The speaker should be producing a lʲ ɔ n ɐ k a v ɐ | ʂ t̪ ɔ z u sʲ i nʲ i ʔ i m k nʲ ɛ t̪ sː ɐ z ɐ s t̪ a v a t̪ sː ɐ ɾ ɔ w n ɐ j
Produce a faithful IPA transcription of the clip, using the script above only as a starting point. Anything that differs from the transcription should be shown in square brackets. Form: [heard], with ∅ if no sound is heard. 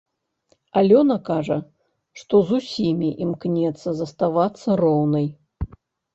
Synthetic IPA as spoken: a lʲ ɔ n ɐ k a [ʐ] ɐ | ʂ t̪ ɔ z u sʲ i [mʲ] i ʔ i m k nʲ ɛ t̪ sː ɐ z ɐ s t̪ a v a t̪ sː ɐ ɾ ɔ w n ɐ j